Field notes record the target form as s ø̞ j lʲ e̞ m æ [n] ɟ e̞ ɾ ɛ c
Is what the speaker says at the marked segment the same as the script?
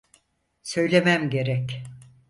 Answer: no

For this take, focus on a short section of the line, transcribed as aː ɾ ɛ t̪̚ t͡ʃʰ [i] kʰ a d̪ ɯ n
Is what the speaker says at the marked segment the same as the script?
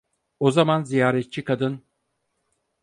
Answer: yes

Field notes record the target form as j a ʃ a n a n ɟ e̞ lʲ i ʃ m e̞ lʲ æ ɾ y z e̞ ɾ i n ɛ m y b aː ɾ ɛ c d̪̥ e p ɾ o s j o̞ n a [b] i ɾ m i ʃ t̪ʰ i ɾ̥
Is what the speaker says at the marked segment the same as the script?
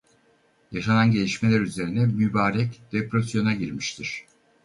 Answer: no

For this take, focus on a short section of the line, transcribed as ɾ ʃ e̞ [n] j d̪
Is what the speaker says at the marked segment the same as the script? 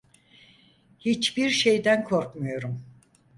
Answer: no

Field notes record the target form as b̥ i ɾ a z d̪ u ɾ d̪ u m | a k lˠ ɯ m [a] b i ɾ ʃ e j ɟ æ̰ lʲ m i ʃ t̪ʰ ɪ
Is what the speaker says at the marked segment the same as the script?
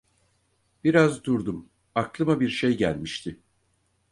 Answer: yes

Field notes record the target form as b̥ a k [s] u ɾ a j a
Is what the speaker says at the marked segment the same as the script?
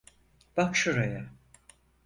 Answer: no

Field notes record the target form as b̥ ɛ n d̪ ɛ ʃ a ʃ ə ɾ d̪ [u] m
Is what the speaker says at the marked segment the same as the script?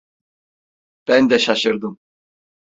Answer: yes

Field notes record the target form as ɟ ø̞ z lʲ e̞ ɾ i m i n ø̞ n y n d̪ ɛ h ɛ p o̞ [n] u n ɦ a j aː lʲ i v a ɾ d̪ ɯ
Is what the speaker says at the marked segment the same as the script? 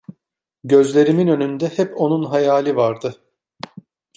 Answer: yes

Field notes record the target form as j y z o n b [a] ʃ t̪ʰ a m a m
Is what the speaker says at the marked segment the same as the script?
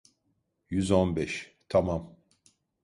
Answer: no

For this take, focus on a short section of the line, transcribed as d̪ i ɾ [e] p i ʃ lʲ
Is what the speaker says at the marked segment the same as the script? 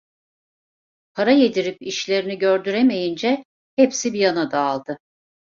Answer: no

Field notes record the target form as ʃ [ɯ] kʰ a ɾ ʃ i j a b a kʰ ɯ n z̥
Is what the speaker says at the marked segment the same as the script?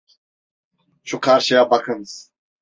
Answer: no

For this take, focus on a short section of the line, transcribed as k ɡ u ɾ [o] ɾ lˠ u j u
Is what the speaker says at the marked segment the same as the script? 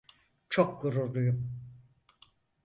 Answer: no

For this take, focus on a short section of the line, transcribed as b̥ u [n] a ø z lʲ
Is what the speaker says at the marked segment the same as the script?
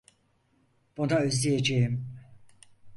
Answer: yes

